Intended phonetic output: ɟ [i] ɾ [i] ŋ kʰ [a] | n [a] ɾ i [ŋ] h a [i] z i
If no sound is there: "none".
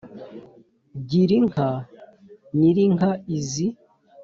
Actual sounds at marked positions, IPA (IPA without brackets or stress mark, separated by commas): i, i, a, i, ŋ, i